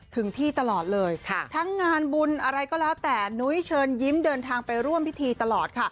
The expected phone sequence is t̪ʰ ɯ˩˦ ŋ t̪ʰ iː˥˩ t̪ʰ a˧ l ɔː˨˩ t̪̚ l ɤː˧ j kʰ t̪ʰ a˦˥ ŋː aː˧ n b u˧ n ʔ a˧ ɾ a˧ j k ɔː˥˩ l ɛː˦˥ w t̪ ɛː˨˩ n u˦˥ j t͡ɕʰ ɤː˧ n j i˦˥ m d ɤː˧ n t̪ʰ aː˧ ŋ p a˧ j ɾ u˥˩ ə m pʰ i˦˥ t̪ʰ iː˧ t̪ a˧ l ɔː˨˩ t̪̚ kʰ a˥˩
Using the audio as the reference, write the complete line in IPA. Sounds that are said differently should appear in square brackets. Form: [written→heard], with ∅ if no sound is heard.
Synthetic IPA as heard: t̪ʰ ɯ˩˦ ŋ t̪ʰ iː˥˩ [t̪ʰ→t̪] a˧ l ɔː˨˩ t̪̚ l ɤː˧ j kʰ t̪ʰ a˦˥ ŋː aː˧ n b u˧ n ʔ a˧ ɾ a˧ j k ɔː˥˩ l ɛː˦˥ w t̪ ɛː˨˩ n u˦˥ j t͡ɕʰ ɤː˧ n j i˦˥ m d ɤː˧ n t̪ʰ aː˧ ŋ p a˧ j ɾ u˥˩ ə m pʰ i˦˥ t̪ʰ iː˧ t̪ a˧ l ɔː˨˩ t̪̚ kʰ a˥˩